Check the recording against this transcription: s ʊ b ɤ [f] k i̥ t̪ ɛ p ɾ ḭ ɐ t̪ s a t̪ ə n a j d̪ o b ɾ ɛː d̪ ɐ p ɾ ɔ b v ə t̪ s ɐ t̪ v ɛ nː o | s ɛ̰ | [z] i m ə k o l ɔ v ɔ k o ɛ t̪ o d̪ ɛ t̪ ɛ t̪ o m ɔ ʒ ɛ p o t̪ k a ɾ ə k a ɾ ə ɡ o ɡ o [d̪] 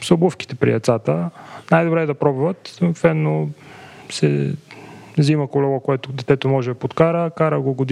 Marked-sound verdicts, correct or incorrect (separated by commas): correct, correct, correct